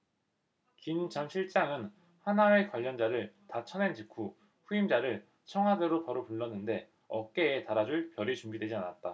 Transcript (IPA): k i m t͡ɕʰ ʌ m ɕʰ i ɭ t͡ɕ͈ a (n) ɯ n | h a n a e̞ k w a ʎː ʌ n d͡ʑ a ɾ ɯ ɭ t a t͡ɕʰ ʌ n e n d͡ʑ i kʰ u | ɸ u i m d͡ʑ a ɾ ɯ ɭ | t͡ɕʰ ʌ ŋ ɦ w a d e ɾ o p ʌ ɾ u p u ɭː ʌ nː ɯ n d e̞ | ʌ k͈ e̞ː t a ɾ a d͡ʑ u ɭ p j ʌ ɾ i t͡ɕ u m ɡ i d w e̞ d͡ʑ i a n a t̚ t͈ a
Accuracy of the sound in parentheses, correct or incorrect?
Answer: incorrect